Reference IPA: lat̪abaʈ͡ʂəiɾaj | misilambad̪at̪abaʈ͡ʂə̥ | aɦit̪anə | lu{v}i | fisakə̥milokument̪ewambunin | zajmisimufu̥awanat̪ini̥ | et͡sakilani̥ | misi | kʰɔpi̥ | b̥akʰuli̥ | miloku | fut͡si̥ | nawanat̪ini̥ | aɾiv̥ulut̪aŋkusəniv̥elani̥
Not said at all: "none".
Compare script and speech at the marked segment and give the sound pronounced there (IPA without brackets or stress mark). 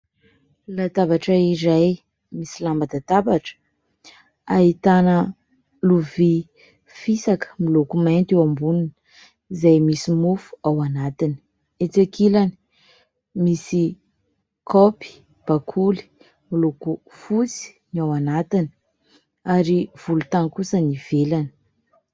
v